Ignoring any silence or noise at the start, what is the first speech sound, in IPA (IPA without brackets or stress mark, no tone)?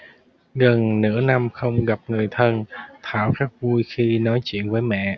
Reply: ɣ